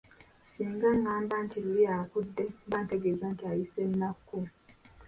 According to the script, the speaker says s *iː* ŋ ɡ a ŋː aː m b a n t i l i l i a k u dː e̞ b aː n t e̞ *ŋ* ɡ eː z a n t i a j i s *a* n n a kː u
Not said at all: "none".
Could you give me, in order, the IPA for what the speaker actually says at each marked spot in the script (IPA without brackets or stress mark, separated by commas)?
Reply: iː, none, e